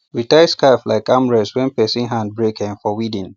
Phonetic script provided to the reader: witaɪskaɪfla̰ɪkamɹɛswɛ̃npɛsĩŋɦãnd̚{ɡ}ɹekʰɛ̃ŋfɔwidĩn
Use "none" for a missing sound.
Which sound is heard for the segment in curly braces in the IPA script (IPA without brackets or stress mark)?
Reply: b